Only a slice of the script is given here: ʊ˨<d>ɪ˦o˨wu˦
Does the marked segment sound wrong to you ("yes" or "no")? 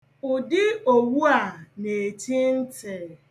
no